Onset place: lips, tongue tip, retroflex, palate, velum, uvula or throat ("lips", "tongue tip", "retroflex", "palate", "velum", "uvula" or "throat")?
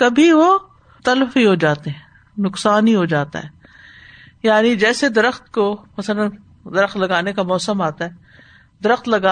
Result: velum